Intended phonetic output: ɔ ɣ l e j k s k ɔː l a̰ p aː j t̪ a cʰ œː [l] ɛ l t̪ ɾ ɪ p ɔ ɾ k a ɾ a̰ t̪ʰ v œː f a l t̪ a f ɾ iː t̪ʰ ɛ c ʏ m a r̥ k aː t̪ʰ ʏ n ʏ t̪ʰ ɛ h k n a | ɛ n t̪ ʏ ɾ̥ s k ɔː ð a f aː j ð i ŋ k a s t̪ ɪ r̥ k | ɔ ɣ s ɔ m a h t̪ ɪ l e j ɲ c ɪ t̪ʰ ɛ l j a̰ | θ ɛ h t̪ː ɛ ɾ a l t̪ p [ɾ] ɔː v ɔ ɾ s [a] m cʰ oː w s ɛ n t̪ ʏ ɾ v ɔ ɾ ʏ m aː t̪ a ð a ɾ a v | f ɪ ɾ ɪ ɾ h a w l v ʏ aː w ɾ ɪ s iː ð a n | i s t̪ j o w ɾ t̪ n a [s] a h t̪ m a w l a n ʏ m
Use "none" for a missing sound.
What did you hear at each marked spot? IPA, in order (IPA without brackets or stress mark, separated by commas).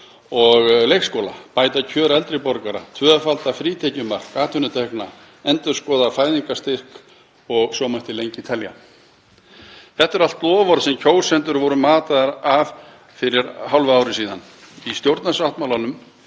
ɾ, l, ɛ, s